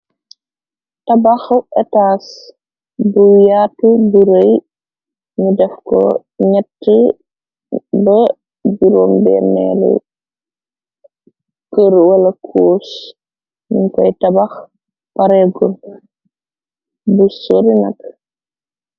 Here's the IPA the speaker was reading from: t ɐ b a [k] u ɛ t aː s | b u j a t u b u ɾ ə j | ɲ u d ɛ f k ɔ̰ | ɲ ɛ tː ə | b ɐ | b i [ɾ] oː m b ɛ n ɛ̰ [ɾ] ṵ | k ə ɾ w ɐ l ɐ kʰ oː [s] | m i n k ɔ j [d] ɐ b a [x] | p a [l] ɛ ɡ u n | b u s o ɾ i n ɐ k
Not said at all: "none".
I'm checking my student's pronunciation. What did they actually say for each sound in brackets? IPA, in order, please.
x, ɾ, l, s, t, x, ɾ

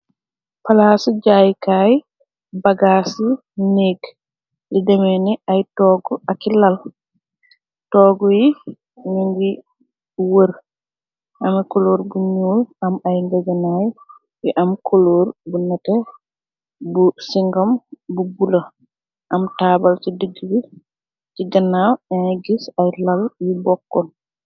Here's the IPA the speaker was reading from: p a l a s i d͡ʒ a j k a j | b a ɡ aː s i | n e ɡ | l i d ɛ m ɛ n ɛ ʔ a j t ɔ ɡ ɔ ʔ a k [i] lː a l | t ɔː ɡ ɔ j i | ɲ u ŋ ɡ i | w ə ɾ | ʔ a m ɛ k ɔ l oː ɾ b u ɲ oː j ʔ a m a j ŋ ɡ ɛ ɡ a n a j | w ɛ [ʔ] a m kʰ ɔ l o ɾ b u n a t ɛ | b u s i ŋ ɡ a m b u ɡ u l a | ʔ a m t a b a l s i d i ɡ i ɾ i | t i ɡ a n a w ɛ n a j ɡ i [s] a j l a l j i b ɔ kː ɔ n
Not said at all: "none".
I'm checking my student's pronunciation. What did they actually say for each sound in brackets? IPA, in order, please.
i, ʔ, s

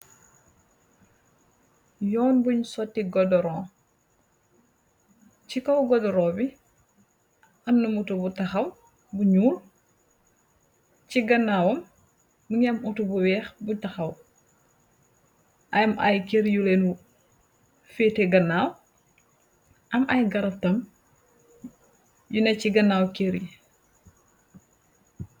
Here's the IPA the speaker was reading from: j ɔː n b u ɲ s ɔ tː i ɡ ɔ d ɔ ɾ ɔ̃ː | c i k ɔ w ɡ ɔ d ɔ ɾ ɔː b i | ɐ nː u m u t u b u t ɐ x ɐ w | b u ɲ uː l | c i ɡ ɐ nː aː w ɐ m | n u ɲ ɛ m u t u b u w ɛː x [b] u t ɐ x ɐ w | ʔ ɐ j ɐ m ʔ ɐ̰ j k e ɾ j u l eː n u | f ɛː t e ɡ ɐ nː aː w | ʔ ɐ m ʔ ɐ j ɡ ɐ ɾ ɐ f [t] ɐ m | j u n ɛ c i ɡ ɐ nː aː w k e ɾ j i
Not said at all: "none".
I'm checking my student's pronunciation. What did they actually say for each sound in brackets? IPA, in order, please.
b, t

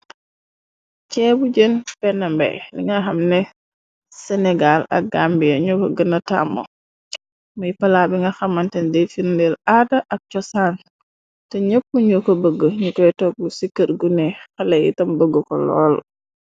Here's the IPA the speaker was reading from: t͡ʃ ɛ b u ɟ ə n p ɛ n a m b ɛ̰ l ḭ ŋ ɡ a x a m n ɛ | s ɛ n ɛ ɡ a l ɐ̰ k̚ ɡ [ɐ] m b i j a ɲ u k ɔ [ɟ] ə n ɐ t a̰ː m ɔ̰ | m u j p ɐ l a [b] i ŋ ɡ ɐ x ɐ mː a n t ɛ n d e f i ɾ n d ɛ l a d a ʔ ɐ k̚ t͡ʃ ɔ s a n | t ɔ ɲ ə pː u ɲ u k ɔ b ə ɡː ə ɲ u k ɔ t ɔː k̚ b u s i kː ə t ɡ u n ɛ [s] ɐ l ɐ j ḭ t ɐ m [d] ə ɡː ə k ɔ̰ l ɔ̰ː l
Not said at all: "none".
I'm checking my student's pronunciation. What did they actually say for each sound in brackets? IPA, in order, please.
a, ɡ, b, x, b

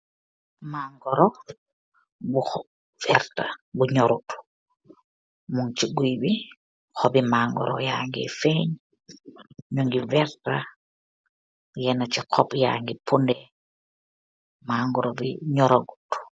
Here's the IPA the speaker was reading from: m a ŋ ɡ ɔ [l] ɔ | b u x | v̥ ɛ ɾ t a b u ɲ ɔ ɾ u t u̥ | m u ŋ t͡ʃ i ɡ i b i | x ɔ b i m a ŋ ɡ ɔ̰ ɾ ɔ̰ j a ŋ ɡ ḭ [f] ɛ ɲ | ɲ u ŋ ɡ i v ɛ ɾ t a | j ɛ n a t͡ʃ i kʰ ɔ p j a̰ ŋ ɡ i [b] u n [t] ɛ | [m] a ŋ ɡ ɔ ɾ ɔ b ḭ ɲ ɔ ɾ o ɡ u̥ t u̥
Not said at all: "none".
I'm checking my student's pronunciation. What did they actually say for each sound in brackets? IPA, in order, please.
ɾ, f, p, d, m

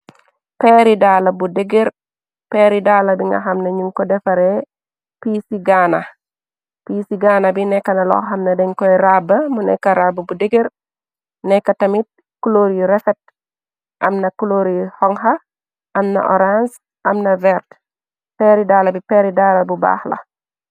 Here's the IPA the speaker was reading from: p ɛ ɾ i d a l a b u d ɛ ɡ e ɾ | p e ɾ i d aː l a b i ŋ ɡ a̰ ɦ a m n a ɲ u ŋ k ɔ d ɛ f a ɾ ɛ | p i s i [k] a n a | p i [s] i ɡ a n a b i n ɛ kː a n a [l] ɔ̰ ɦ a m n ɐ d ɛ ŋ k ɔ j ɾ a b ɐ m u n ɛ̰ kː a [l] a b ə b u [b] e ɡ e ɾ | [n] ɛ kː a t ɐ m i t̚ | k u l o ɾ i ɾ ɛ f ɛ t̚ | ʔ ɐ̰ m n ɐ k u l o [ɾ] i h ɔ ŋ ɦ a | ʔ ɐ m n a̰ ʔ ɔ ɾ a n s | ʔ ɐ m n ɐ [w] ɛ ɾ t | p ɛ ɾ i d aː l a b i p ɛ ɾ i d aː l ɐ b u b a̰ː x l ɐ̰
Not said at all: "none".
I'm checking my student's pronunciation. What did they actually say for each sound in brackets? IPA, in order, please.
ɡ, s, l, ɾ, d, n, ɾ, v

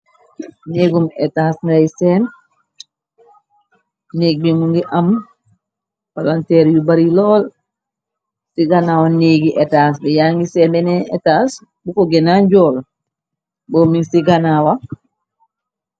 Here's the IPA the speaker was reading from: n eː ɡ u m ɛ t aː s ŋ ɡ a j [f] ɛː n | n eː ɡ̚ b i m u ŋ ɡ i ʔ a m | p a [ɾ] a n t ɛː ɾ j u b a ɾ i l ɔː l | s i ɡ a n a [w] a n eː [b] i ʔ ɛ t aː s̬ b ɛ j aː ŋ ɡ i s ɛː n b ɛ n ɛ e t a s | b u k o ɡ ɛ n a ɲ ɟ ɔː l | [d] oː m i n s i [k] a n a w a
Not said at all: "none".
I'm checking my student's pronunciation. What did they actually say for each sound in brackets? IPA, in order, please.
s, l, w, ɡ, b, ɡ

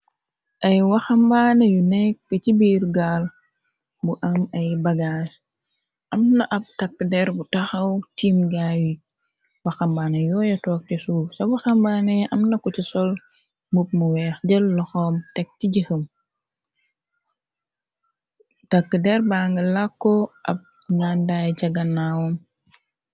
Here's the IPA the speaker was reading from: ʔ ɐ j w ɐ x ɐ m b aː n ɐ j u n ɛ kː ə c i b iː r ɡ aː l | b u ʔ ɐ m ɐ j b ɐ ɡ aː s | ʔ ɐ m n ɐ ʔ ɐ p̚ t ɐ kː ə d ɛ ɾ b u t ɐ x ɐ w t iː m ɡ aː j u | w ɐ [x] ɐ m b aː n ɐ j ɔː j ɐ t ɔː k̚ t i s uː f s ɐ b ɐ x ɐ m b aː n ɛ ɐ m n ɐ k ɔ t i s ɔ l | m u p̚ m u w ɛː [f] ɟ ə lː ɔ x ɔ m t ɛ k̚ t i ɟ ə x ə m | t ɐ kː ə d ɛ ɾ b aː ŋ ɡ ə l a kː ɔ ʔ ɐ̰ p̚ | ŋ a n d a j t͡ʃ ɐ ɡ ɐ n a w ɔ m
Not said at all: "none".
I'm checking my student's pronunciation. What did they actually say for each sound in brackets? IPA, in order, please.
x, x

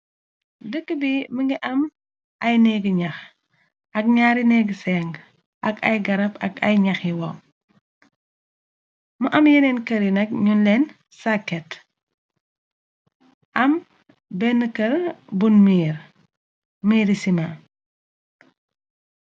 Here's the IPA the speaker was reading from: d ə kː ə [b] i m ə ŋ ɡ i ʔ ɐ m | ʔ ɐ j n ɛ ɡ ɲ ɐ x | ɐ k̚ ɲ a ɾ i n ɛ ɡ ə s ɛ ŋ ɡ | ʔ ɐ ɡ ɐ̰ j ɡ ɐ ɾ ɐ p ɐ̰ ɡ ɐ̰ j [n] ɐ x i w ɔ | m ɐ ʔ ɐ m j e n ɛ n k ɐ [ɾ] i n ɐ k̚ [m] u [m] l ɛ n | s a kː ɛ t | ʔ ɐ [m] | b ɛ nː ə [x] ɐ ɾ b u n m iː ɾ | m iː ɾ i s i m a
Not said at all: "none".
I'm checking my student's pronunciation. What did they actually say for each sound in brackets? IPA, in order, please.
b, ɲ, ɾ, ɲ, n, m, k

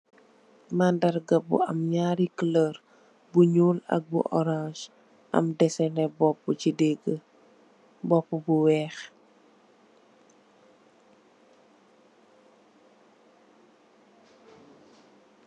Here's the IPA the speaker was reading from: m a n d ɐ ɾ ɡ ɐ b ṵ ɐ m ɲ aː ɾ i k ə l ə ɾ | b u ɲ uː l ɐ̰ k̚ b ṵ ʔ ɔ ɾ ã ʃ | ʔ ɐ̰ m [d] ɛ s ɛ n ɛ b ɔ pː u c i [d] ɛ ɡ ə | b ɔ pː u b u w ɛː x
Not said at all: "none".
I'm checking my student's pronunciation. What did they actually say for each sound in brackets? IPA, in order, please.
d, d

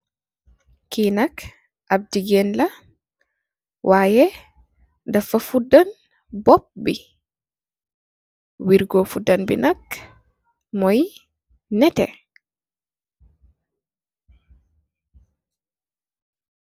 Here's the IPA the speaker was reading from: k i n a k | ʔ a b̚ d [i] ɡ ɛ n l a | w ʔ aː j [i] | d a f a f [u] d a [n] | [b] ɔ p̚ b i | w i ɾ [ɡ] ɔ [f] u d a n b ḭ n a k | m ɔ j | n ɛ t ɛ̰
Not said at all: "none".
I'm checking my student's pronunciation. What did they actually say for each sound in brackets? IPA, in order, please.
i, ɛ, u, n, b, ɡ, f

